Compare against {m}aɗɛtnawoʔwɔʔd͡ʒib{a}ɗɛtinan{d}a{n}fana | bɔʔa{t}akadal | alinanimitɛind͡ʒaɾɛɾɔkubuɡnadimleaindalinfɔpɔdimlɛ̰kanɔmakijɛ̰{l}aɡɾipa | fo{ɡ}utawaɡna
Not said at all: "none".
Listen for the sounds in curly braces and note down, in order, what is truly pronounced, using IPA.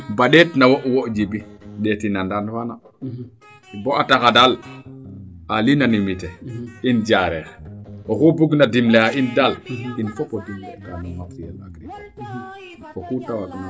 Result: b, i, d, n, t, l, k

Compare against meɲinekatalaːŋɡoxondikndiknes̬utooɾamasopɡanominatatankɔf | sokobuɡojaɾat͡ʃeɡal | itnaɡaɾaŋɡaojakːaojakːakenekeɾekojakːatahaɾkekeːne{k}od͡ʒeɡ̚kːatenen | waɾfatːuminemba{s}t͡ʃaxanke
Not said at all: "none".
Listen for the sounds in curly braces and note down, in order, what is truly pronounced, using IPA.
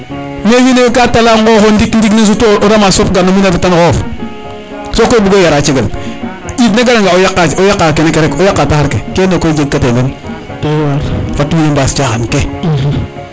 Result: k, s

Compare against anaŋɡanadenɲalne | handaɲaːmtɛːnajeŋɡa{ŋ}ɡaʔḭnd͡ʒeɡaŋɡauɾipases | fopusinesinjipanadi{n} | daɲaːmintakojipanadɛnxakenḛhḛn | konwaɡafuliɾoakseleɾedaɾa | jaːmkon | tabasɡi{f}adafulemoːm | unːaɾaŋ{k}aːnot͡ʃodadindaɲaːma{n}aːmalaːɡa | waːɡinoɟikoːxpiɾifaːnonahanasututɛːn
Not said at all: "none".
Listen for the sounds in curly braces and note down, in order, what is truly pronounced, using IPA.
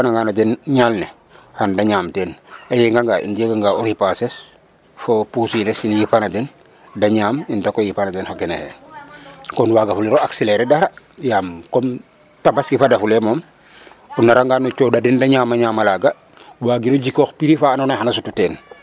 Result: ŋ, n, f, ɡ, ɲ

